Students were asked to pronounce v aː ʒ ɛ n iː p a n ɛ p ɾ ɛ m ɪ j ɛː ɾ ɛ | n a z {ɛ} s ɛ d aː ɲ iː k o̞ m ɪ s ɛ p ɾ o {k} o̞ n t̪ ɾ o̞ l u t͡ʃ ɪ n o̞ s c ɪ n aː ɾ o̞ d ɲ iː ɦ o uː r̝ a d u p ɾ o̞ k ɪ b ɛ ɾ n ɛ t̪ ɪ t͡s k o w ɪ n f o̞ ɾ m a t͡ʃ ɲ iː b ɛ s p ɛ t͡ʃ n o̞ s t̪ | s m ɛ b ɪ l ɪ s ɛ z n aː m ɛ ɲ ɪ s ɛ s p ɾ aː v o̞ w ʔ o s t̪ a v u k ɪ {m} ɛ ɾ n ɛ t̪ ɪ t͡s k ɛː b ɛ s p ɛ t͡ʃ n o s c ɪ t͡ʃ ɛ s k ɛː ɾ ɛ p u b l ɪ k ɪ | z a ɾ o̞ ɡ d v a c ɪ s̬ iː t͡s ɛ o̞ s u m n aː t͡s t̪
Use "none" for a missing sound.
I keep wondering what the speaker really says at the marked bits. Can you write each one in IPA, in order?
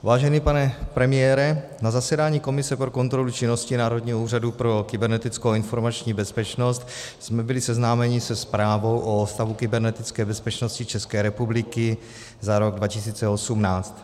a, k, b

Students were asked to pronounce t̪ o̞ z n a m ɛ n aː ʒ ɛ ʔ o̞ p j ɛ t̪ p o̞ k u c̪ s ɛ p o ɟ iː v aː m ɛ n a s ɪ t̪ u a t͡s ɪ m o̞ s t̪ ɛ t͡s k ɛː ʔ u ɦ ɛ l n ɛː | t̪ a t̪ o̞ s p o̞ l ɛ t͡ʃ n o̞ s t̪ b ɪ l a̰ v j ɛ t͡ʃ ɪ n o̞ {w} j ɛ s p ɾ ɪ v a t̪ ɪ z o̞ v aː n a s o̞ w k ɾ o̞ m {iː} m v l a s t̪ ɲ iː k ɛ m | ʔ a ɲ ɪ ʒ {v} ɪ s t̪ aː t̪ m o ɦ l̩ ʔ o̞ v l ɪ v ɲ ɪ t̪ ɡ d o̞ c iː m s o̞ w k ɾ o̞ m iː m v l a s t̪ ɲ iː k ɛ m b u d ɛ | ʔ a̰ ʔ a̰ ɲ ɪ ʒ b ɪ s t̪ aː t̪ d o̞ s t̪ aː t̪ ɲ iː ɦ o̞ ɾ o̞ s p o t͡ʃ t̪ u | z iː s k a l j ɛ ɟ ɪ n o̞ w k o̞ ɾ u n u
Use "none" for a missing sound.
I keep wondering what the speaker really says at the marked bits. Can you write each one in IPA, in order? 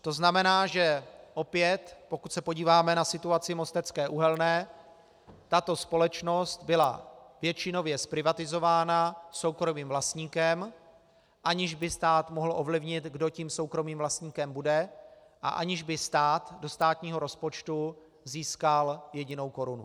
v, iː, b

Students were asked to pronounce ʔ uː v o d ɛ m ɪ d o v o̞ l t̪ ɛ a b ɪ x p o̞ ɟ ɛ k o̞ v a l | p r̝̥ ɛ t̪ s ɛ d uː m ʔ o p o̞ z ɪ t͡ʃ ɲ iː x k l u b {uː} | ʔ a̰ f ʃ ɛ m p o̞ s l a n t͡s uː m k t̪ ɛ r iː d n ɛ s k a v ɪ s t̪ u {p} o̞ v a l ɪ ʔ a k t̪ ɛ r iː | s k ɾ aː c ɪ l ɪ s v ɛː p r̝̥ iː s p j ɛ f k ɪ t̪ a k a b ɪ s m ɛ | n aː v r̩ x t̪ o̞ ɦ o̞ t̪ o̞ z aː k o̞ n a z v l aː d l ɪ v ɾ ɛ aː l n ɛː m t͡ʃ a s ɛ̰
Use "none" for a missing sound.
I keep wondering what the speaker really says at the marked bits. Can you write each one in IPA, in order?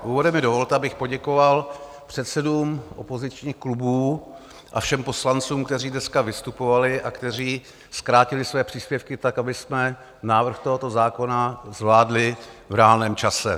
uː, p

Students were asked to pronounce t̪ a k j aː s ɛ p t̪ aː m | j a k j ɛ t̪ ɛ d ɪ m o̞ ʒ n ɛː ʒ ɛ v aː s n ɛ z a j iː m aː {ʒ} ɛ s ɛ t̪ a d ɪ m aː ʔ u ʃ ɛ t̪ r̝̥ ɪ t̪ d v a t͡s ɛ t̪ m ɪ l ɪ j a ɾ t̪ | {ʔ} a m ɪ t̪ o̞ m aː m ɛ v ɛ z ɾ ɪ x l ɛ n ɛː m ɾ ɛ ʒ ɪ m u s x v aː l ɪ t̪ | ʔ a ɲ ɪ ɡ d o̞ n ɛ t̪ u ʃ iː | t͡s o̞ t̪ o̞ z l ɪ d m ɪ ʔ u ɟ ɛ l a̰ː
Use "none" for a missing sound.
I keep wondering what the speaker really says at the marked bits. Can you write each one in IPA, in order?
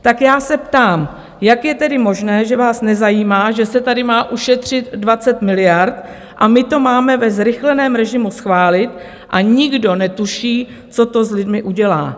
ʒ, ʔ

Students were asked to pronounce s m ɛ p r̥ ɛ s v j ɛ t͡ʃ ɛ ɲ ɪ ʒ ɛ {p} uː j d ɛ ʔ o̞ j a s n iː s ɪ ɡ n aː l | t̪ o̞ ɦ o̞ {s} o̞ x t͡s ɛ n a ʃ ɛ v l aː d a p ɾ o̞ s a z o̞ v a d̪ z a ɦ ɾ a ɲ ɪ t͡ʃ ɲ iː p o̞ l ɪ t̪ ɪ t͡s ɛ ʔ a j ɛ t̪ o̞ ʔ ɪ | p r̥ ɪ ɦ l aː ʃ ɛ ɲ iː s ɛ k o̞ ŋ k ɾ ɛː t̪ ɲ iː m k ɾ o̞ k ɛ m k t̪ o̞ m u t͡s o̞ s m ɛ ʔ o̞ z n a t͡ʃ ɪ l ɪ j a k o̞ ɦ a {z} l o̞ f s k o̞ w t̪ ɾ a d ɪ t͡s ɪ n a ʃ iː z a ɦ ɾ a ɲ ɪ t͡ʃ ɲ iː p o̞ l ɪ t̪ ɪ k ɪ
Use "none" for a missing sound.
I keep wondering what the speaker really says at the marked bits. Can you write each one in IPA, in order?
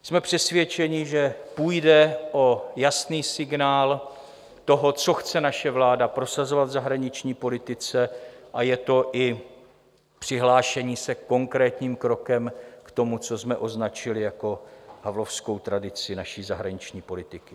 p, t͡s, v

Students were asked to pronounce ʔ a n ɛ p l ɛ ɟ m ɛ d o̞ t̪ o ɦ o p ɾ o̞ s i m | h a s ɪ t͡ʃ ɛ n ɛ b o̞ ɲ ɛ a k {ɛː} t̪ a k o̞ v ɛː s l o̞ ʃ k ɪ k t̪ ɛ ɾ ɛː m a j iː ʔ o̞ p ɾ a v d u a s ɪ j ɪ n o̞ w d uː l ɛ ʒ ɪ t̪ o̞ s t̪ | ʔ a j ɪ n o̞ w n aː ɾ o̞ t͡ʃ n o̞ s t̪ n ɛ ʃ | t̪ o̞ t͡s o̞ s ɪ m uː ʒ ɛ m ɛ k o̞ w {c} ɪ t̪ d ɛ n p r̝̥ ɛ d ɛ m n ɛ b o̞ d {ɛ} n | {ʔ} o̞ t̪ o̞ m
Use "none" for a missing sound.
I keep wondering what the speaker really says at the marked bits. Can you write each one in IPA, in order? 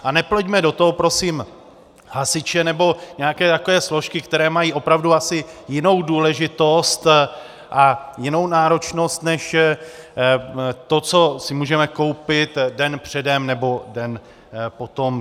ɛː, p, ɛ, p

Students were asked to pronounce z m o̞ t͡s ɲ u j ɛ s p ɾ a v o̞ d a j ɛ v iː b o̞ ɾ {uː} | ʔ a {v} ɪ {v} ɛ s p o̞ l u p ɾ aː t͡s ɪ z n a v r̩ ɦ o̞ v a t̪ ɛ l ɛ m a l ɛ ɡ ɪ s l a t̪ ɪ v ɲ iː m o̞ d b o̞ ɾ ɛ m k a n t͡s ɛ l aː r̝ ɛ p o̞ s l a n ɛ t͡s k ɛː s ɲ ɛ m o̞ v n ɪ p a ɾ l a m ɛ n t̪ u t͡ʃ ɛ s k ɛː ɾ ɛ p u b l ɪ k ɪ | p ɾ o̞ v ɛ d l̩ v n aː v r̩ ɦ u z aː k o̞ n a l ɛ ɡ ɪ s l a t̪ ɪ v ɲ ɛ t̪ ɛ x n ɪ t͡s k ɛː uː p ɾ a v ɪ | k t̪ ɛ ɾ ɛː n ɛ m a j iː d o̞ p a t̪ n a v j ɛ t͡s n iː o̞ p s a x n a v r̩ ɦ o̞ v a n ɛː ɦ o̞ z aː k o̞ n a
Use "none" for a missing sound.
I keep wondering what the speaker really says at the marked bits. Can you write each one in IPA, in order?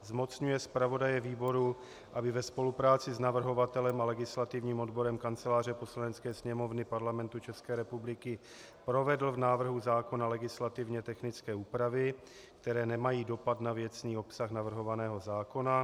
u, b, v

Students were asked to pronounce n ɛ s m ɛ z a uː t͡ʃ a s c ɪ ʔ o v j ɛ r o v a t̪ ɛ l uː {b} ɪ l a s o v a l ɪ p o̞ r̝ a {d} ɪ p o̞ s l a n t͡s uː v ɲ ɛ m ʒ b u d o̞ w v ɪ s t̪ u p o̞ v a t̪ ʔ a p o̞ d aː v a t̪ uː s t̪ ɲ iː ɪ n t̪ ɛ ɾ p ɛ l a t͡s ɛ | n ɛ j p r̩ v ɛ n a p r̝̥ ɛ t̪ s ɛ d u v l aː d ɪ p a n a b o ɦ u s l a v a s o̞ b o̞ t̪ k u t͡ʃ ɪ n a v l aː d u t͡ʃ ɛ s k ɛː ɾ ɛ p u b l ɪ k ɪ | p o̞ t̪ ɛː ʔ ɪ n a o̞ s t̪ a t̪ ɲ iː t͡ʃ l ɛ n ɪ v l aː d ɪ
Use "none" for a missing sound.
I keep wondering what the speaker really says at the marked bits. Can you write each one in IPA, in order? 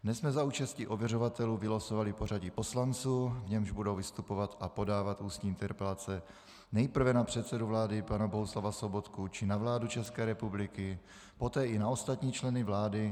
v, ɟ

